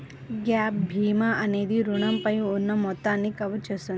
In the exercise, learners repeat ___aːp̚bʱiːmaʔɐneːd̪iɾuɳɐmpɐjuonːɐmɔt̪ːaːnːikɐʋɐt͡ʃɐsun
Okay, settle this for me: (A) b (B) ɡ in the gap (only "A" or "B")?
B